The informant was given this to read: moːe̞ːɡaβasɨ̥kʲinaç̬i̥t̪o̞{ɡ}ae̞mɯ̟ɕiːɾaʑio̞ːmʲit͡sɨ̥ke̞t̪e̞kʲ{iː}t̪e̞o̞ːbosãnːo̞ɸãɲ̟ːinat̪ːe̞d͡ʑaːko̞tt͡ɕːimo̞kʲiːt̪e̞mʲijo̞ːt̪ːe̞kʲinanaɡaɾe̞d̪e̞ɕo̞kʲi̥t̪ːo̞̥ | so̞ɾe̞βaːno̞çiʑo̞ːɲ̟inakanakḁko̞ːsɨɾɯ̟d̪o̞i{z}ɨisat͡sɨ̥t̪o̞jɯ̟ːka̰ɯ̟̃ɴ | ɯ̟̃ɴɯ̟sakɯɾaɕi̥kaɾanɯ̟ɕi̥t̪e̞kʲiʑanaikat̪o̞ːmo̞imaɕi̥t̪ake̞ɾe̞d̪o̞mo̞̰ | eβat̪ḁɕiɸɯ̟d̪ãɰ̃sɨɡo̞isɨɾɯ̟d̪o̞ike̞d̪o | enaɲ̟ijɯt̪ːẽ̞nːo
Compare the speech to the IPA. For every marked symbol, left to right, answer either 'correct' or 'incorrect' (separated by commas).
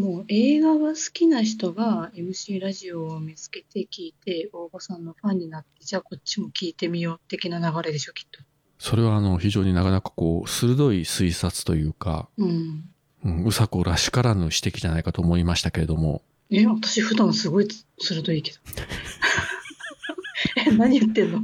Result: correct, correct, incorrect